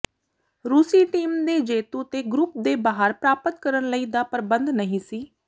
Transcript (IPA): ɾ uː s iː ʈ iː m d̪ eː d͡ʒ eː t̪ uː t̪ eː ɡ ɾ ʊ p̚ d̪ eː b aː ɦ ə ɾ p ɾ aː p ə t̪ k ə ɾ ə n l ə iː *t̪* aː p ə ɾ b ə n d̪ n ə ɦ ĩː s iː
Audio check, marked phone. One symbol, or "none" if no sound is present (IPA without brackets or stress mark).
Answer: d̪